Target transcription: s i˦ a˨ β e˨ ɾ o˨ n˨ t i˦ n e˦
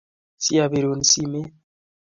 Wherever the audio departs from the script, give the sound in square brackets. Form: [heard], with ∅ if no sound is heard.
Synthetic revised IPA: s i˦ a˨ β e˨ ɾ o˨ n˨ [s] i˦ [m] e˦